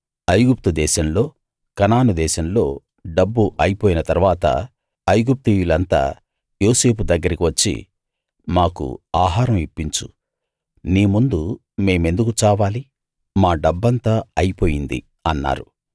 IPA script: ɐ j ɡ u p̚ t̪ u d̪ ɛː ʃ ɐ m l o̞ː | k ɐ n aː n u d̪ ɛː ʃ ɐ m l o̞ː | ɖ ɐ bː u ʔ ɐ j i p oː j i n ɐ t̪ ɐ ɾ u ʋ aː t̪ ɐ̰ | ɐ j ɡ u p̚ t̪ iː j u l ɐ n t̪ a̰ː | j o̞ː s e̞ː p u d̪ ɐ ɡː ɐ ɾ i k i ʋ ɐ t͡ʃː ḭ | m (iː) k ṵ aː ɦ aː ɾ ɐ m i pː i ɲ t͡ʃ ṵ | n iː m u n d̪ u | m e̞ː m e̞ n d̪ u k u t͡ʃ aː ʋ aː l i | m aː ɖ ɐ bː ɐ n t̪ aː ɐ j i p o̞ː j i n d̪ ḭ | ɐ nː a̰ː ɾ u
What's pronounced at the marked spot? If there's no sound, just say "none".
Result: aː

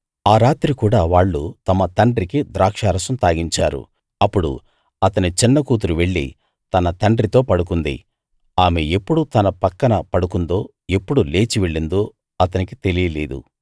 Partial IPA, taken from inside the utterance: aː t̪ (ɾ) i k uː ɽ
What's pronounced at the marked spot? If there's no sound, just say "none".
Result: ɾ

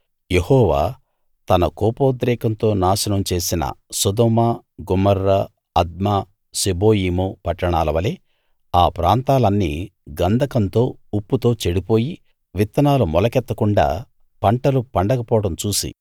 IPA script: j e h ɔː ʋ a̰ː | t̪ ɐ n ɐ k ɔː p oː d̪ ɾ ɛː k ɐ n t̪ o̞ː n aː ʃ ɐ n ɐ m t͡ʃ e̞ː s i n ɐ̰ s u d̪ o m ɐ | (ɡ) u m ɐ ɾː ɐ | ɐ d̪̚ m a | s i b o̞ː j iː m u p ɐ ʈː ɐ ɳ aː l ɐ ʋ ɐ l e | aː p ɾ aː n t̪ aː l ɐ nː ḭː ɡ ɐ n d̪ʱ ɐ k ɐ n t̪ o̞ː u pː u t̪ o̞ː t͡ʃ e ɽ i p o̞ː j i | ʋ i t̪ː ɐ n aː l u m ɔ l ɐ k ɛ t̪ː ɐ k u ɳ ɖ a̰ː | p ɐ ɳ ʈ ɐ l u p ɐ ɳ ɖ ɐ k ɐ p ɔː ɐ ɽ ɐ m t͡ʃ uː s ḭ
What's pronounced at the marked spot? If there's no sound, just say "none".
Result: ɡ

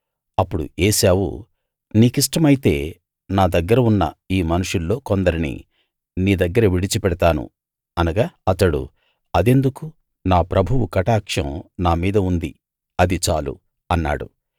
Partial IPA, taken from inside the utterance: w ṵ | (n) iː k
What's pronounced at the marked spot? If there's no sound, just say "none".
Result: n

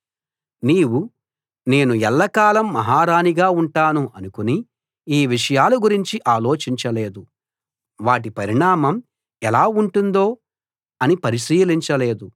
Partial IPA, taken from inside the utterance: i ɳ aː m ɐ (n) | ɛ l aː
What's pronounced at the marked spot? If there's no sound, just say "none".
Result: m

